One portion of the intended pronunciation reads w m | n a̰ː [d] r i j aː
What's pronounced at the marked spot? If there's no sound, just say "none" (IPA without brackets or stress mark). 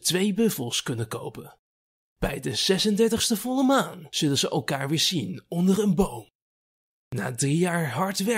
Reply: d